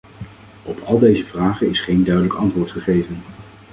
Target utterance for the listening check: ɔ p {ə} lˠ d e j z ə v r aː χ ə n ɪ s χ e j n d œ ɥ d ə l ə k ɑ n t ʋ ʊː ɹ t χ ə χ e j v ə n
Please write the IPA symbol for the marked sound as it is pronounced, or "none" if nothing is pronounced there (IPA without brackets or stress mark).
ɑ